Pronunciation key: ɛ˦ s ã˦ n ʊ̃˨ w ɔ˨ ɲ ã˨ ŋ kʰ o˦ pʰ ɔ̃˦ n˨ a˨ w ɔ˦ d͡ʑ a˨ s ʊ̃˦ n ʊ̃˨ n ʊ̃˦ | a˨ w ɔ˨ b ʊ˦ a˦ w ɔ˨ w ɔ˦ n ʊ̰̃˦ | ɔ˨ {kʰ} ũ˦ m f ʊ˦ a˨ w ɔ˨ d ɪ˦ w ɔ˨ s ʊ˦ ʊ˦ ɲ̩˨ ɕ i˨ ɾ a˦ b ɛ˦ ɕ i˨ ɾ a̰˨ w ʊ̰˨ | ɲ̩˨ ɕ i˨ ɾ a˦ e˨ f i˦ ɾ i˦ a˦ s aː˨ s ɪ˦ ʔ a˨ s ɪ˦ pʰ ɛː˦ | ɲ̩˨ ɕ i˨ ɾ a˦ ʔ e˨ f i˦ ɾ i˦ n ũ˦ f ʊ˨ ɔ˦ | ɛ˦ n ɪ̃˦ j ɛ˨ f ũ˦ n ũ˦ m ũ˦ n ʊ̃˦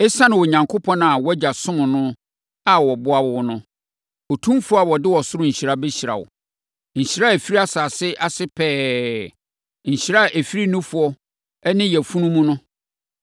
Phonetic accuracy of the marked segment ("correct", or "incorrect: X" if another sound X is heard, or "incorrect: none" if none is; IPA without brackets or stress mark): incorrect: tʰ